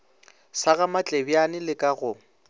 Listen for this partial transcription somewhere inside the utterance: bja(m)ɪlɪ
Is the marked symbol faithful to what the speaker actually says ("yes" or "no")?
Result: no